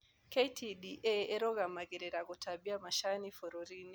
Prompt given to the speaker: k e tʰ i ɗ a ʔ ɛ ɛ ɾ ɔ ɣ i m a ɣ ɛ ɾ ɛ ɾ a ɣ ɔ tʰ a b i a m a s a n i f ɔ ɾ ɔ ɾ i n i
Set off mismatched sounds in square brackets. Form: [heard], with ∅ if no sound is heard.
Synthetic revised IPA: k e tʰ i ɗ [i] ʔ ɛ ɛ ɾ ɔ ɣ [a] m a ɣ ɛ ɾ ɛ ɾ a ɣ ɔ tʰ a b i a m a [ʃ] a n i f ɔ ɾ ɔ ɾ i n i